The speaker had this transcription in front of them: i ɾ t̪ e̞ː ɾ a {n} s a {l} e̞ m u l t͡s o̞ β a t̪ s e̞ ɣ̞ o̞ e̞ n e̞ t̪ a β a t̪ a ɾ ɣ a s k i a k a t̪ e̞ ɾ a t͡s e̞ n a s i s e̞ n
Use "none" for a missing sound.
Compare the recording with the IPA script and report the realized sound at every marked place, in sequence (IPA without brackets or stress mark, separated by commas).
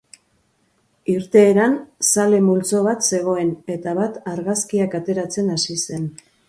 n, l